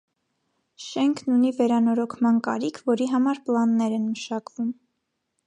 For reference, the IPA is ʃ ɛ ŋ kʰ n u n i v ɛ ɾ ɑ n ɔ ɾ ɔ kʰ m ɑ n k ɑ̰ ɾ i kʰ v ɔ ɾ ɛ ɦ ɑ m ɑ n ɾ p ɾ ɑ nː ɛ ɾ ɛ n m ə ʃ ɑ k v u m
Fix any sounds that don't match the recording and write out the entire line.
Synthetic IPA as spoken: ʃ ɛ ŋ kʰ n u n i v ɛ ɾ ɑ n ɔ ɾ ɔ kʰ m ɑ n k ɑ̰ ɾ i kʰ v ɔ ɾ i ɦ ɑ m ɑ ɾ p l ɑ nː ɛ ɾ ɛ n m ə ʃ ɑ k v u m